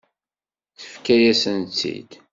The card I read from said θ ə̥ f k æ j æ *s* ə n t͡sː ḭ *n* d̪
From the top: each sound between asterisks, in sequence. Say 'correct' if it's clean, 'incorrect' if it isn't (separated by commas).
correct, incorrect